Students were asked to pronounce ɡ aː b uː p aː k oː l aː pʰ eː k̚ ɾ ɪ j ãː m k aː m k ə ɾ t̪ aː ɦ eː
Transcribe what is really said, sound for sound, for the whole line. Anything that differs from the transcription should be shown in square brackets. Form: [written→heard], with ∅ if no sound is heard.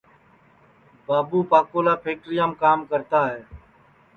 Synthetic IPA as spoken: [ɡ→b] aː b uː p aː k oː l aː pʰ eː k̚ ɾ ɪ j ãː m k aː m k ə ɾ t̪ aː ɦ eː